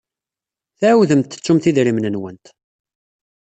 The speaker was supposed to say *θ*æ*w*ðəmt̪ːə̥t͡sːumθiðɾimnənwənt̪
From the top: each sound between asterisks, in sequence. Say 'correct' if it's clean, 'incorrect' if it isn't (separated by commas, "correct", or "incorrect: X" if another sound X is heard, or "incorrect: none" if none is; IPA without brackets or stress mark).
correct, correct